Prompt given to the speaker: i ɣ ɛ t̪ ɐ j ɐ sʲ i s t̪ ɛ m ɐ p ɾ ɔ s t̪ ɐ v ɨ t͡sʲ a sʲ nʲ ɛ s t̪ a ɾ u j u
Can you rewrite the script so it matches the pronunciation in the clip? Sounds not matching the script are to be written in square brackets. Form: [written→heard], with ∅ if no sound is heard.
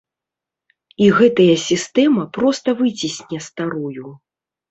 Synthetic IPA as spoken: i ɣ ɛ t̪ ɐ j ɐ sʲ i s t̪ ɛ m ɐ p ɾ ɔ s t̪ ɐ v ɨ t͡sʲ [a→i] sʲ nʲ ɛ s t̪ a ɾ u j u